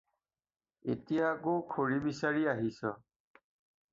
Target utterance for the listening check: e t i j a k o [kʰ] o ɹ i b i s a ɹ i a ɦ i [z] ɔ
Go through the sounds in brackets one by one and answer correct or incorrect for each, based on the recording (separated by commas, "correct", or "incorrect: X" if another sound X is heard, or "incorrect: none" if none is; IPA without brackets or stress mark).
correct, incorrect: s